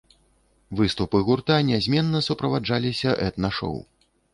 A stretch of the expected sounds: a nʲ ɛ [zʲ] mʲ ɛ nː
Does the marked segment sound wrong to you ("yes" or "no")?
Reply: no